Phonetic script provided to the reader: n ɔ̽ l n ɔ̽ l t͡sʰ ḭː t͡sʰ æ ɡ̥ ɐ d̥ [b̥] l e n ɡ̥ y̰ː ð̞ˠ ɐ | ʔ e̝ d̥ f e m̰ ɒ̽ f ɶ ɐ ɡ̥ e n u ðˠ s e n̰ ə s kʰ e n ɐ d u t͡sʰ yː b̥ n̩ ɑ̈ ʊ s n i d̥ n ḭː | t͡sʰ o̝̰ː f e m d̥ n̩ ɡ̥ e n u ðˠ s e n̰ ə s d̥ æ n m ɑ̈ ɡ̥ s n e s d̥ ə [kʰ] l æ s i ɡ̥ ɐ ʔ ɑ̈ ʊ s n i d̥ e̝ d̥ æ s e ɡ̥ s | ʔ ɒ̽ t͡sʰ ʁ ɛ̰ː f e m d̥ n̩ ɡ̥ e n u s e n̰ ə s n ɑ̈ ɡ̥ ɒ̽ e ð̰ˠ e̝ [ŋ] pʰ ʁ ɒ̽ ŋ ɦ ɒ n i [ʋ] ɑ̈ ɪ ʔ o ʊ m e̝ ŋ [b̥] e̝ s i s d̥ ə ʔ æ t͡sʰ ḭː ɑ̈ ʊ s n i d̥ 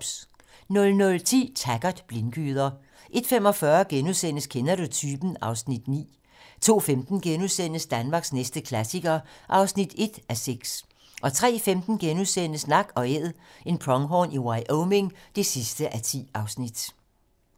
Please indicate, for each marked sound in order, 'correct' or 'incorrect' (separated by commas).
correct, correct, incorrect, incorrect, incorrect